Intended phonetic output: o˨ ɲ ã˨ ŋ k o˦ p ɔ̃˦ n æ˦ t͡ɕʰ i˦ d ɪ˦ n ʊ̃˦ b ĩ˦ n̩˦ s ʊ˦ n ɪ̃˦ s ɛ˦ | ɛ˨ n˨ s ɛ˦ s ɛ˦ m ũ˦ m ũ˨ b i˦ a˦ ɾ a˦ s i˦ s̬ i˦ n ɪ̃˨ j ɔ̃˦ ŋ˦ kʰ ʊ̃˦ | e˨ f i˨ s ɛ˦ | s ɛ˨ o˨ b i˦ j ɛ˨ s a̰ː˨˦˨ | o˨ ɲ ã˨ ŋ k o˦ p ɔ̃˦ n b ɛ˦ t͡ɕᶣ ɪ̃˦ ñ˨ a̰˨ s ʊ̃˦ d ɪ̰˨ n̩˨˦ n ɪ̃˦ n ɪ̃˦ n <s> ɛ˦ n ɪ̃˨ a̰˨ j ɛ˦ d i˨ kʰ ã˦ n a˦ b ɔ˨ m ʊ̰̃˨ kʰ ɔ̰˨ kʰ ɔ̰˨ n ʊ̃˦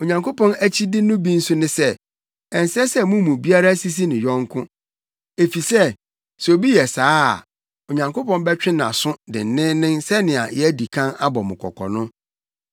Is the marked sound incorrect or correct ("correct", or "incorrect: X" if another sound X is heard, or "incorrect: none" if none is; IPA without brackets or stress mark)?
correct